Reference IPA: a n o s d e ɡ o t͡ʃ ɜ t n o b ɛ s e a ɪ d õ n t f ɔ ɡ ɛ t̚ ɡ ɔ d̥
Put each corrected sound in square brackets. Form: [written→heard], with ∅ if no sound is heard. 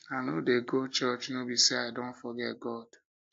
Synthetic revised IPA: a n o [s→∅] d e ɡ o t͡ʃ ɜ [t→t͡ʃ] n o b [ɛ→i] s e a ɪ d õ n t f ɔ ɡ ɛ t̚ ɡ ɔ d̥